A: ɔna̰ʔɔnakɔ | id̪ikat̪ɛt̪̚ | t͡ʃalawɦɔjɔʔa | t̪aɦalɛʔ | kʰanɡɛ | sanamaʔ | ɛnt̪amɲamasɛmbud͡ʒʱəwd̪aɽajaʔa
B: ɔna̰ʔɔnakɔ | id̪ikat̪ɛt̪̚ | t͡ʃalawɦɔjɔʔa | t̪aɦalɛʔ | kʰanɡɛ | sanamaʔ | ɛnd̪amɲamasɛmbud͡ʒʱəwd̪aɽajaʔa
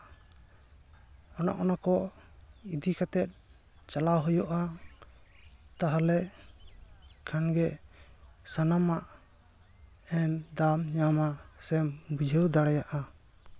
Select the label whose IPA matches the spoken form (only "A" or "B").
B